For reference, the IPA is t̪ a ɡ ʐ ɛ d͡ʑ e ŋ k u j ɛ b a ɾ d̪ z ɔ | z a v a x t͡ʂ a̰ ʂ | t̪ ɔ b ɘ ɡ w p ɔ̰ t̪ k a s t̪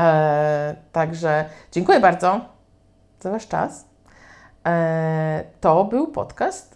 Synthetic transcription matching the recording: t̪ a ɡ ʐ ɛ d͡ʑ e ŋ k u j ɛ b a ɾ d̪ z ɔ | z a v a ʂ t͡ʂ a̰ s | t̪ ɔ b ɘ w p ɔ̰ t̪ k a s t̪